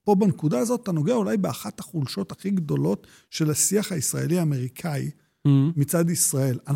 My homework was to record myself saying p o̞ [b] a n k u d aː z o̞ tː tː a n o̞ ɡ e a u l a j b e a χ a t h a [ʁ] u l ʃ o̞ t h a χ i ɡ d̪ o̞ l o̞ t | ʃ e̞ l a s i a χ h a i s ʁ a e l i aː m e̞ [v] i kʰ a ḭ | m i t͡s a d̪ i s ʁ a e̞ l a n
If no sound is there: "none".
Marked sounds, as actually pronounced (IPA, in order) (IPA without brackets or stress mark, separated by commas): b, χ, ʁ